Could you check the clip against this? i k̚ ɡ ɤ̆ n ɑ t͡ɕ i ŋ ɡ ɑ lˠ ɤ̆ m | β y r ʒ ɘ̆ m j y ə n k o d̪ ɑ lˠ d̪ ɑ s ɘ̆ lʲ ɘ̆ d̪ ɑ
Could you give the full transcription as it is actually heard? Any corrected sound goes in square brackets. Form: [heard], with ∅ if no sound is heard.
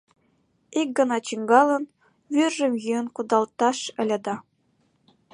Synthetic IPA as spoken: i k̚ ɡ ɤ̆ n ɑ t͡ɕ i ŋ ɡ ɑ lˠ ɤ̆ [n] | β y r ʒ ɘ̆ m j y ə n k [u] d̪ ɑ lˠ [t̪] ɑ [ʃ] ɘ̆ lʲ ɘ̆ d̪ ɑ